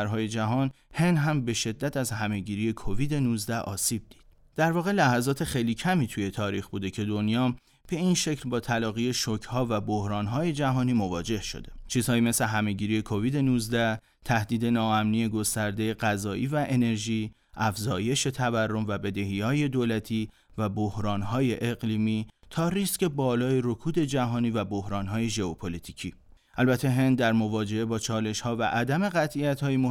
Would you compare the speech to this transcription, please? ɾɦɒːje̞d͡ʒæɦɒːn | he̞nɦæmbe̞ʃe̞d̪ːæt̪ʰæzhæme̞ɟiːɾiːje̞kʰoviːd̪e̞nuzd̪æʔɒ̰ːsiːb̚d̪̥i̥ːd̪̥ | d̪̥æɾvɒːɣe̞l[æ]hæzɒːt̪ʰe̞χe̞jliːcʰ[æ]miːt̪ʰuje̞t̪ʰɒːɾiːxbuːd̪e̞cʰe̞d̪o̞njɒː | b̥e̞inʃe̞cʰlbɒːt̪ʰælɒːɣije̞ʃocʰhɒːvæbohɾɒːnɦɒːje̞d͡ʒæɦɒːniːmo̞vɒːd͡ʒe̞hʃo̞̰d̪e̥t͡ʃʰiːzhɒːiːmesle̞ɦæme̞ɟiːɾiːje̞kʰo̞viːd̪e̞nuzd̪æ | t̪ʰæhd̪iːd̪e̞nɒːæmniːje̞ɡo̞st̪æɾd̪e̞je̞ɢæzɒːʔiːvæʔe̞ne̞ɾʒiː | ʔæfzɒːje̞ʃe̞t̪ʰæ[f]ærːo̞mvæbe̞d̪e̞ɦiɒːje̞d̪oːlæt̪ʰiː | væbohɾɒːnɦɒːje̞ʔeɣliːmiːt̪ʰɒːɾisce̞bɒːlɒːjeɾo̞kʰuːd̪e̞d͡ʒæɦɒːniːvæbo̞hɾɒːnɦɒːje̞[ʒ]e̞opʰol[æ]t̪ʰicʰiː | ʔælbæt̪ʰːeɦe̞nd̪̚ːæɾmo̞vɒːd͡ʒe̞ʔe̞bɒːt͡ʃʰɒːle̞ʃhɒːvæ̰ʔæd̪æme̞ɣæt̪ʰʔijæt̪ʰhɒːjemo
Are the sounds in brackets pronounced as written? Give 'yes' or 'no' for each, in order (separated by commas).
yes, yes, no, yes, no